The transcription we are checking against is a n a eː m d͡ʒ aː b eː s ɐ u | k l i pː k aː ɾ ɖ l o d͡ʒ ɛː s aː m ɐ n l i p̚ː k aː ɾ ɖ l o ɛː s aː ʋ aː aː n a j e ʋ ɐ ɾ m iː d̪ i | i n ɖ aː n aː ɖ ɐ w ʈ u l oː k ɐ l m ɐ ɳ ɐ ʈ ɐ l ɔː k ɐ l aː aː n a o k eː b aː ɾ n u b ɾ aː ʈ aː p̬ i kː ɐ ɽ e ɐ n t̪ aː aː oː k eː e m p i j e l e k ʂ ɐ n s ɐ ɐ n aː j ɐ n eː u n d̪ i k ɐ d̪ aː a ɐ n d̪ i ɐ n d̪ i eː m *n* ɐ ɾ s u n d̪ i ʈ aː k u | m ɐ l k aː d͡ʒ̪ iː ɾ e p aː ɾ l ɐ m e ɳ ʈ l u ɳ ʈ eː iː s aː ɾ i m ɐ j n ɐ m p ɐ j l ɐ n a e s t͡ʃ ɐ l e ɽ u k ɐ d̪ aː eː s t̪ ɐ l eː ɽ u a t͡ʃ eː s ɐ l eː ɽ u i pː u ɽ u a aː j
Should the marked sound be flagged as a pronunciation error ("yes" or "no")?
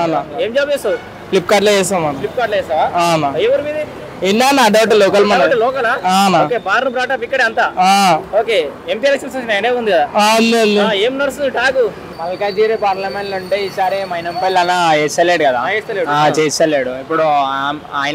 no